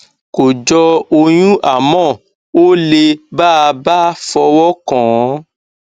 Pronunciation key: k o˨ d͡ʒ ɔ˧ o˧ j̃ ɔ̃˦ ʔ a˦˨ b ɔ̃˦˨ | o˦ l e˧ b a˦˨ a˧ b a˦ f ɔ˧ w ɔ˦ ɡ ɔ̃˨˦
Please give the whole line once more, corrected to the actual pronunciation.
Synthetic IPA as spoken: k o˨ d͡ʒ ɔ˧ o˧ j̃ ũ˦ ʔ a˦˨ m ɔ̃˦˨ | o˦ l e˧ b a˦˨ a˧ b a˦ f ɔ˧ w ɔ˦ k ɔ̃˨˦